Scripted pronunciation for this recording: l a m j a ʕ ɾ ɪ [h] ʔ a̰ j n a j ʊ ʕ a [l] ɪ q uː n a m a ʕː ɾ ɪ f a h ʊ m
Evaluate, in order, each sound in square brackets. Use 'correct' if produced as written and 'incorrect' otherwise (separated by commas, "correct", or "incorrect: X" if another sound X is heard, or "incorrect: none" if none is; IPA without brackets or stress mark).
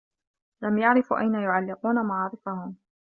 incorrect: f, incorrect: lː